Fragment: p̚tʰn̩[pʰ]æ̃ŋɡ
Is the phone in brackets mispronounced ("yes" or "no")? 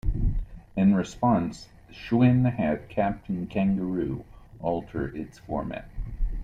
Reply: yes